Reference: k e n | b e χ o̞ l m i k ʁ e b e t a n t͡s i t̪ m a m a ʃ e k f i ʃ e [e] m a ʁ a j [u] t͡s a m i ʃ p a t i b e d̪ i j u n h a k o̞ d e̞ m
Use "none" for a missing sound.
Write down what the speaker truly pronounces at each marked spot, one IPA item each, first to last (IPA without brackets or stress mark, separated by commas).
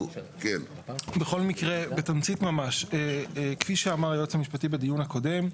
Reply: a, o